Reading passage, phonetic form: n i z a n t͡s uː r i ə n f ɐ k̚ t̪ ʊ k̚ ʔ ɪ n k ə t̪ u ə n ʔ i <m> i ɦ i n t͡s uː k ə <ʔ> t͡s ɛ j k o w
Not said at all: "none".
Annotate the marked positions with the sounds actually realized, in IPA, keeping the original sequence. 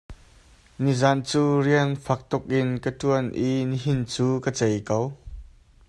n, none

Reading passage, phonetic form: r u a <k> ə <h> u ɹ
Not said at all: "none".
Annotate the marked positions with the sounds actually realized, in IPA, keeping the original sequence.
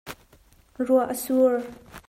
ʔ, s

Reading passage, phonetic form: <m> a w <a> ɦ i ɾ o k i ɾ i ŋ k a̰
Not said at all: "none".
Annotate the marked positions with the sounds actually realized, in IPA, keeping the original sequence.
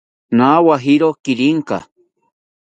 n, a

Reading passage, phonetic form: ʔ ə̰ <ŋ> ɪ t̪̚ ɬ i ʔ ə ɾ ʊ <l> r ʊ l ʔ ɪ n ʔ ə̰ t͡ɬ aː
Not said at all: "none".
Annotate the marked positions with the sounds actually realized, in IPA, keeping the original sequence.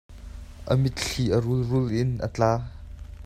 m, l

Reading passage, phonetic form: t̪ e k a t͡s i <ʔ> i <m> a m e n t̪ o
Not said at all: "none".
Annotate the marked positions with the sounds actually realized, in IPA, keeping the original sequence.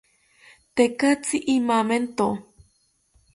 ʔ, m

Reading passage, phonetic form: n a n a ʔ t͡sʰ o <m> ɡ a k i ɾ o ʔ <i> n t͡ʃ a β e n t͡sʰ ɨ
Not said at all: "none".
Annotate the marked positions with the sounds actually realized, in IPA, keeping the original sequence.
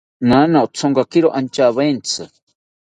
ŋ, a

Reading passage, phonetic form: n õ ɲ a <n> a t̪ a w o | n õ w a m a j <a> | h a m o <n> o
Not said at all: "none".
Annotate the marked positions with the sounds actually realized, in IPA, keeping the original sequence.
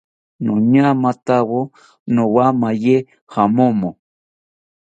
m, e, m

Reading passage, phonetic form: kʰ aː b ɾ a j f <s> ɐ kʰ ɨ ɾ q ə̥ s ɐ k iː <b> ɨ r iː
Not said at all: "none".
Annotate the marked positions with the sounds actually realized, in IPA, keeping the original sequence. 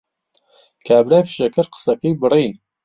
ʃ, b

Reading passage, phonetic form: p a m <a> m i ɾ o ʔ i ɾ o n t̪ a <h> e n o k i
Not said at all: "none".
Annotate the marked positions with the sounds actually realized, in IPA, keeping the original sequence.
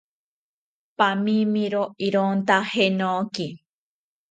i, h

